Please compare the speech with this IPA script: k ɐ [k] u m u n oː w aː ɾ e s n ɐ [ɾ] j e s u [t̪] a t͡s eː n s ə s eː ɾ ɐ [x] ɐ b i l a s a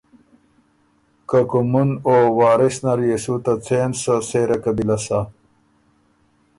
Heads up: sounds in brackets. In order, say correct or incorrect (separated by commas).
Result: correct, correct, correct, incorrect